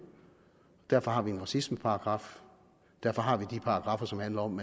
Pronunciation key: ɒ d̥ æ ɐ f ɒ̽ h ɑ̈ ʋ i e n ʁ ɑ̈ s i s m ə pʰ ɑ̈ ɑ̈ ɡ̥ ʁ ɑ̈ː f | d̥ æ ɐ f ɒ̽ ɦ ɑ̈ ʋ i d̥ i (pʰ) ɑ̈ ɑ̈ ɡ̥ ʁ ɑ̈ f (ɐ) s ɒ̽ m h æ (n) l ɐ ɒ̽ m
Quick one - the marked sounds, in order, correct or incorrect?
correct, correct, correct

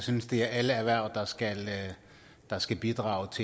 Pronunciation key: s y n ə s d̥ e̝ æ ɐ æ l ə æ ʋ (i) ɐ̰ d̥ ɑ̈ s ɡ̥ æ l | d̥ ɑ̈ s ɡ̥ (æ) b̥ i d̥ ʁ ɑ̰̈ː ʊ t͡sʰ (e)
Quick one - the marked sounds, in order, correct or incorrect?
incorrect: æ, correct, correct

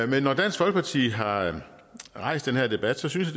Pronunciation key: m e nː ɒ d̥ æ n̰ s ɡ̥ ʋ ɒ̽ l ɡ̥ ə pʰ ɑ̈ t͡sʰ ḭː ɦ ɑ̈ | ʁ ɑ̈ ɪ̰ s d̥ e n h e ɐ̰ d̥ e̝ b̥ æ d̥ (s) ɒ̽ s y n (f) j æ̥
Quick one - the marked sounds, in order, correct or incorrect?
correct, incorrect: s

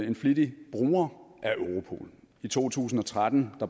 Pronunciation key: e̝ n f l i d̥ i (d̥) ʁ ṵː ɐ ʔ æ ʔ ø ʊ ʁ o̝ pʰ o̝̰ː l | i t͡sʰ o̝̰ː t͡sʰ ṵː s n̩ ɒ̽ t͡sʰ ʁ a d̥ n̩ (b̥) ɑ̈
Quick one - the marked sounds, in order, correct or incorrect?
incorrect: b̥, incorrect: d̥

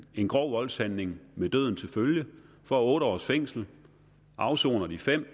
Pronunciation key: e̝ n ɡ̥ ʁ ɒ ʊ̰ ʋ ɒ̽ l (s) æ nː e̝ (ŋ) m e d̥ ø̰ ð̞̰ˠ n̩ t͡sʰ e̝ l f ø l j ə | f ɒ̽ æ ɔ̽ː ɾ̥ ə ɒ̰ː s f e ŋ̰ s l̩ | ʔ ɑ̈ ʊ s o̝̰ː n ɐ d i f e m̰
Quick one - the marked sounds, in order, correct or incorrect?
correct, correct

